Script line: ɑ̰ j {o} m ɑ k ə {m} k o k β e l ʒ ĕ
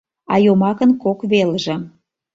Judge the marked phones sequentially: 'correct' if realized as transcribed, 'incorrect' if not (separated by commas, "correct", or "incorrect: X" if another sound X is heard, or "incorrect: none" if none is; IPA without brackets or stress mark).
correct, incorrect: n